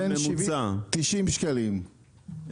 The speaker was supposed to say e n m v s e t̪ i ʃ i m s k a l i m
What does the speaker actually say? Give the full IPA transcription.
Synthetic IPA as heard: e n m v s a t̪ i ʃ i m ʃ k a l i m